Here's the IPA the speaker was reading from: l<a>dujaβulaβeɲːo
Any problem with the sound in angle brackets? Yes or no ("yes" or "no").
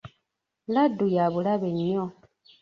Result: no